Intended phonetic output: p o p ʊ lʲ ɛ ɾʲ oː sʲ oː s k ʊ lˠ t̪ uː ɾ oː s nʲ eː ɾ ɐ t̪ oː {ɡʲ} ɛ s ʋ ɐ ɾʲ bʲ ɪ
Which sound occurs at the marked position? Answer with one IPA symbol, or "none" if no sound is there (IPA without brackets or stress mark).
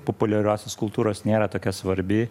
kʲ